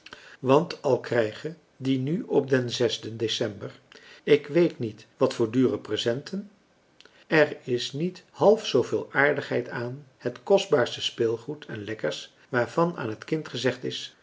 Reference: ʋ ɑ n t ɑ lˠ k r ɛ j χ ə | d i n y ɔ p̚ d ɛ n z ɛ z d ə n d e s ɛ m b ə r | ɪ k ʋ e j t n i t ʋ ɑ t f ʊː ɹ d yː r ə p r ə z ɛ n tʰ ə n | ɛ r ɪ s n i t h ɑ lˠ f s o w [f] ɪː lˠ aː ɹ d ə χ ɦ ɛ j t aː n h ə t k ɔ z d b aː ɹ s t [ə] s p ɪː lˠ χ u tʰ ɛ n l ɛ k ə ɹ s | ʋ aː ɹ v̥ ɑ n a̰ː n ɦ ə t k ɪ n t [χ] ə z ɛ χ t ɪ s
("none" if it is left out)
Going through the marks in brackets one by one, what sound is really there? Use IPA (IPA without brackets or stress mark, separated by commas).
v, ə, χ